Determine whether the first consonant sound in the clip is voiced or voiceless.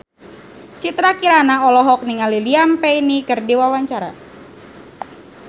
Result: voiceless